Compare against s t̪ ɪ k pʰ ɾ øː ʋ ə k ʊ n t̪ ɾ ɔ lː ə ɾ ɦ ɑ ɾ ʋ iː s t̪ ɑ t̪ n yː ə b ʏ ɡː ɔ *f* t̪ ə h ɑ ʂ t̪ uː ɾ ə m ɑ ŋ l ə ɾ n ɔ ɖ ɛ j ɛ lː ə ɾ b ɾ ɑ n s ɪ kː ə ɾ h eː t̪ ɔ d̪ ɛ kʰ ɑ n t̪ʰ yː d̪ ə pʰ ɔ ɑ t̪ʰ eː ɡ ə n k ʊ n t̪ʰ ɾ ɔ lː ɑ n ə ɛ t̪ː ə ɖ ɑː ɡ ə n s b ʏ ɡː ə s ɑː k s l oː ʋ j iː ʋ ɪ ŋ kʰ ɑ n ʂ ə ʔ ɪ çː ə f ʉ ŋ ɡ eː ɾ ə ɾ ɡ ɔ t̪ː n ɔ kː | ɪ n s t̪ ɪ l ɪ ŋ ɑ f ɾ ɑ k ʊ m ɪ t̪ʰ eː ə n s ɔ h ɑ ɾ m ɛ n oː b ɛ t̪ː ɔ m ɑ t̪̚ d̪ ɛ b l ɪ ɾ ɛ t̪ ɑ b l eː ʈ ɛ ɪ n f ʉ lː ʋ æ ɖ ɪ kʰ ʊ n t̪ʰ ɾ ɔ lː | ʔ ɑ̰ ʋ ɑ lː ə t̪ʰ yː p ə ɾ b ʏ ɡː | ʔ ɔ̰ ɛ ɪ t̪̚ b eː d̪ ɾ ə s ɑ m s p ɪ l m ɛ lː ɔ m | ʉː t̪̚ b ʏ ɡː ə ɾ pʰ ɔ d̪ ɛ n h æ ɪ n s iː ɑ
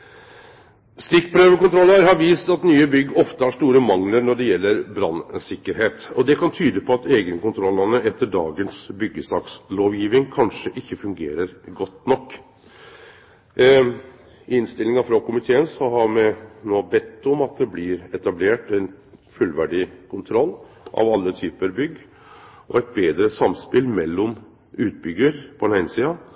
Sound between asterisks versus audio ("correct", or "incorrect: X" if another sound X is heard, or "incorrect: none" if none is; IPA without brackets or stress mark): correct